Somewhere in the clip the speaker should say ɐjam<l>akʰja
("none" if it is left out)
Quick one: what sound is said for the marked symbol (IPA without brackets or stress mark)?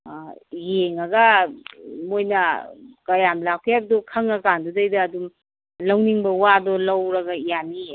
l